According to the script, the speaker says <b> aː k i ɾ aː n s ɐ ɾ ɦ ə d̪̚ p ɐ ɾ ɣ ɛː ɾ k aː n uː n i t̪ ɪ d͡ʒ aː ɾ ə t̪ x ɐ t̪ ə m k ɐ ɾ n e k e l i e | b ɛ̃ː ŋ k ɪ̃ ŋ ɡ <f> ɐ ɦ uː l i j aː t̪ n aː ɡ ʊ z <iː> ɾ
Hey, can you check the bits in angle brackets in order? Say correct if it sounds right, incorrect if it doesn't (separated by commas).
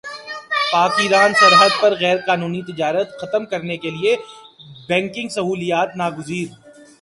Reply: incorrect, incorrect, correct